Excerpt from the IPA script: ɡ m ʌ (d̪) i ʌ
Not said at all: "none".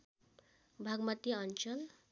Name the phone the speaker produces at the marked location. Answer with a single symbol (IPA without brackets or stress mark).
t̪